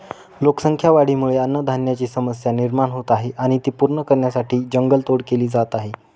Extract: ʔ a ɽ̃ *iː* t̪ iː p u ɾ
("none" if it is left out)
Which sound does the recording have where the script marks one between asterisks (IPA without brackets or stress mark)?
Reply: i